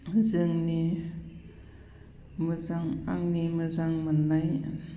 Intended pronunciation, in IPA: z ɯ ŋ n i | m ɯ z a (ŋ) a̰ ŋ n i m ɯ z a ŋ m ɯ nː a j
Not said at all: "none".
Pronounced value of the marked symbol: ŋ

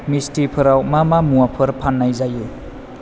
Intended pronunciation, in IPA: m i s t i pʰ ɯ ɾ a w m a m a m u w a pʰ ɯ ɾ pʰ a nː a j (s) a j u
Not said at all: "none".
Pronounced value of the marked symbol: z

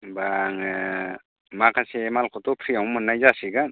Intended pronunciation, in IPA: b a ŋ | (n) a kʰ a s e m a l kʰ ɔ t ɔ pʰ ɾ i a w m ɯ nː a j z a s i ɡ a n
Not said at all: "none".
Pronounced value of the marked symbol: m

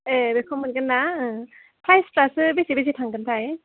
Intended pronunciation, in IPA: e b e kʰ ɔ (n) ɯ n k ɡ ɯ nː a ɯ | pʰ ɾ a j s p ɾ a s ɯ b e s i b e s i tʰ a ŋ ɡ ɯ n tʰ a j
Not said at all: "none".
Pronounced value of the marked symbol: m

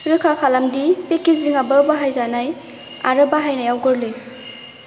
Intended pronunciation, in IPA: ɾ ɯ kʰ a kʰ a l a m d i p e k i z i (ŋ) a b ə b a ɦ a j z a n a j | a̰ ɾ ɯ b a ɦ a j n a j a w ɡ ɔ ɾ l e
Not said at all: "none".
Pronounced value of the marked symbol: ŋ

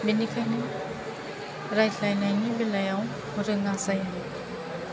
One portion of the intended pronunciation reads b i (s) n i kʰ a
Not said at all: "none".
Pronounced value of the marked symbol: none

